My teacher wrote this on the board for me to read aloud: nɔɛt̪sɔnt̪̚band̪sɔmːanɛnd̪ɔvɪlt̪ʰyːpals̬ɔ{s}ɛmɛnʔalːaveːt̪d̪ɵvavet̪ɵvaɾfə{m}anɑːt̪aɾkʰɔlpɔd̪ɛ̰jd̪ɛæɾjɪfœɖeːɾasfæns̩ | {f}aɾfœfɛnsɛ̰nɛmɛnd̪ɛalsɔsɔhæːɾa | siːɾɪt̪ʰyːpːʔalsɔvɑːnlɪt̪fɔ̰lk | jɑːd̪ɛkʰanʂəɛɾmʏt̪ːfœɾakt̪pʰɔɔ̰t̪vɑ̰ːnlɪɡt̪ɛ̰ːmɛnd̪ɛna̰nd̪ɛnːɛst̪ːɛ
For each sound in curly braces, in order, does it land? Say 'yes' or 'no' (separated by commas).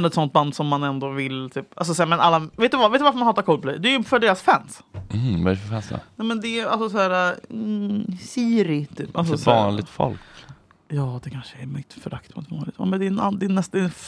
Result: yes, yes, no